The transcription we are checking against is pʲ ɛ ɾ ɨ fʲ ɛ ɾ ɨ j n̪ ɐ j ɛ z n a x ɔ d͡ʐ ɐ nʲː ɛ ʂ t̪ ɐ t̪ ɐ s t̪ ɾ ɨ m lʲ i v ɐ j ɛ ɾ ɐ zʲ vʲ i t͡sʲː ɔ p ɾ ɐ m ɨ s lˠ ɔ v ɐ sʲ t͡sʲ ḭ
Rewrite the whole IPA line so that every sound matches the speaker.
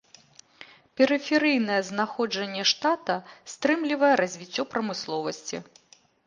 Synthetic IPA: pʲ ɛ ɾ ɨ fʲ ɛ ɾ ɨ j n̪ ɐ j ɛ z n a x ɔ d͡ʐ ɐ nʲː ɛ ʂ t̪ a t̪ ɐ s t̪ ɾ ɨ m lʲ i v ɐ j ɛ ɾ ɐ zʲ vʲ i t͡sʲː ɔ p ɾ ɐ m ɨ s lˠ ɔ v ɐ sʲ t͡sʲ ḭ